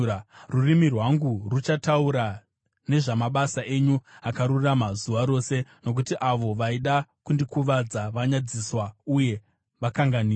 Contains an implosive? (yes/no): yes